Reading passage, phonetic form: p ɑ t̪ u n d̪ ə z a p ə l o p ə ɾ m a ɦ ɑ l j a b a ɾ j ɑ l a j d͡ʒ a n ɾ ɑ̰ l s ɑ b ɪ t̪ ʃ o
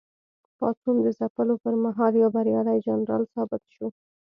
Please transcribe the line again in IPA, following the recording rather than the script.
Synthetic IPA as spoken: p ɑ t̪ u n d̪ ə z a p ə l o p ə ɾ m a ɦ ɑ l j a b a ɾ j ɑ l a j d͡ʒ a n ɾ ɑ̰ l s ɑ b ɪ t̪ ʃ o